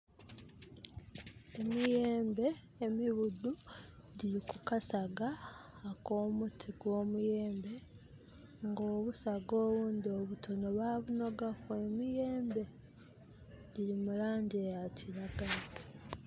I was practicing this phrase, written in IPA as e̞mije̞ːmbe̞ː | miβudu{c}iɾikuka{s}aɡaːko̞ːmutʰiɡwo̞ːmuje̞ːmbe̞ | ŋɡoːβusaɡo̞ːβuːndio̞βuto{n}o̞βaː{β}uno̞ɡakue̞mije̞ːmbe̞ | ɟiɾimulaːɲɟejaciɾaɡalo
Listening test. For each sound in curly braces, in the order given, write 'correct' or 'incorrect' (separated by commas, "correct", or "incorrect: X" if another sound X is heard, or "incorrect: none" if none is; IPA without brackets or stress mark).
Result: incorrect: ɟ, correct, correct, correct